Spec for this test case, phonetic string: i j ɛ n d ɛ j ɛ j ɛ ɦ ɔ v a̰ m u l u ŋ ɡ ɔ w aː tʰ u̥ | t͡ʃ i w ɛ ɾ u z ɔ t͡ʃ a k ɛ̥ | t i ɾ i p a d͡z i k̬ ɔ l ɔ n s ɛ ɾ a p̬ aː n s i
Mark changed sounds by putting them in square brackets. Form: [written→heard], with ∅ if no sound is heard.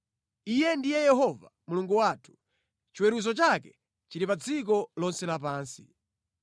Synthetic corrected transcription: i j ɛ n d [ɛ→i] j ɛ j ɛ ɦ ɔ v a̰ m u l u ŋ ɡ [ɔ→u] w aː tʰ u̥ | t͡ʃ i w ɛ ɾ u z ɔ t͡ʃ a k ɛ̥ | [t→t͡ʃ] i ɾ i p a d͡z i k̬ ɔ l ɔ n s ɛ [ɾ→l] a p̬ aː n s i